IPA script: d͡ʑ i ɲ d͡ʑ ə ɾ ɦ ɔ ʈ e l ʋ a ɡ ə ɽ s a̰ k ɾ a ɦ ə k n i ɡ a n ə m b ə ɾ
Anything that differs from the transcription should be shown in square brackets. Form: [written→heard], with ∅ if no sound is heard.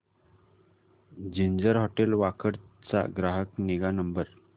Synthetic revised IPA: d͡ʑ i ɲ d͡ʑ ə ɾ ɦ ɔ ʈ e l ʋ a [ɡ→k] ə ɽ [s→t͡s] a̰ [k→ɡ] ɾ a ɦ ə k n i ɡ a n ə m b ə ɾ